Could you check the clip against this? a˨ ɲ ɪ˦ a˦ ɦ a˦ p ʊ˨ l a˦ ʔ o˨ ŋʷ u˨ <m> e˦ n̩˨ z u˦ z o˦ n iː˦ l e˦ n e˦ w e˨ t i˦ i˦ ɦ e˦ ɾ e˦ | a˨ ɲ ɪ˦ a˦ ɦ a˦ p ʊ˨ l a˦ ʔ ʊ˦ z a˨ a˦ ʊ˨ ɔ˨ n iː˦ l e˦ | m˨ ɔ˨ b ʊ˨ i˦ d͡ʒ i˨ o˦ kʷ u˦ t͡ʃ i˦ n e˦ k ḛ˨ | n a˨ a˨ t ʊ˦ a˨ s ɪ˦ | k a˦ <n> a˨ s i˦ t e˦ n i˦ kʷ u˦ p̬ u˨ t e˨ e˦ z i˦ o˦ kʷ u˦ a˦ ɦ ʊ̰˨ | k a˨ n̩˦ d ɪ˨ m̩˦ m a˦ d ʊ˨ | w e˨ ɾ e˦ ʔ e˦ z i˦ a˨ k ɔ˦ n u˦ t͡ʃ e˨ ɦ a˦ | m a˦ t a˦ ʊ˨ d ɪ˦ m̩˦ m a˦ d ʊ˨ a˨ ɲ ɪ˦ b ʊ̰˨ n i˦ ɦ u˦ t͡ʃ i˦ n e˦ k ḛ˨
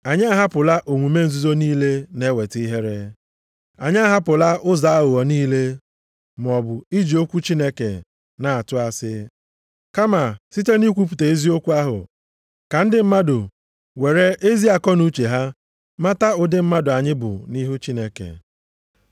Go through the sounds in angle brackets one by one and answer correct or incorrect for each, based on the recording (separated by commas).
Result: correct, incorrect